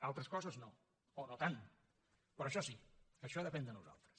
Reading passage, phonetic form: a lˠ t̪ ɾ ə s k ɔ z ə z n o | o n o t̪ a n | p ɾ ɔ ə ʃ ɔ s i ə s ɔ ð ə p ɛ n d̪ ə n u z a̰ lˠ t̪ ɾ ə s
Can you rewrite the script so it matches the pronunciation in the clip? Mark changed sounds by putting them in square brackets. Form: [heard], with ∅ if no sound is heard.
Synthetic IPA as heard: a lˠ t̪ ɾ ə s k ɔ z ə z n o | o n o t̪ a n | p ɾ ɔ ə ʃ ɔ s i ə [ʃ] ɔ ð ə p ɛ n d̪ ə n u z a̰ lˠ t̪ ɾ ə s